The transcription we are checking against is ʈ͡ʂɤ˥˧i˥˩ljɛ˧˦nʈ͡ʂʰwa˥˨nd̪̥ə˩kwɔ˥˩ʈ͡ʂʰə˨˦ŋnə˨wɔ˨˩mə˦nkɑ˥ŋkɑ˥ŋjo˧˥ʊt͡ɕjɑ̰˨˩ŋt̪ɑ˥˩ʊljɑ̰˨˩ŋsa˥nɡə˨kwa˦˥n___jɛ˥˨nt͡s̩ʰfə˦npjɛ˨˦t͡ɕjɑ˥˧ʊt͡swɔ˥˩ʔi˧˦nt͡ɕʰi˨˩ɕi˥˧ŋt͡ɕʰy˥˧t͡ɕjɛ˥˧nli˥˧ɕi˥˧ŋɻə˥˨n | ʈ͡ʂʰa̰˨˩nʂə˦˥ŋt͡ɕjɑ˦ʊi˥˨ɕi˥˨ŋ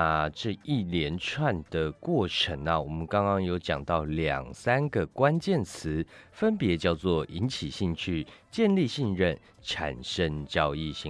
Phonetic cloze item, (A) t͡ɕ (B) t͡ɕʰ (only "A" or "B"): A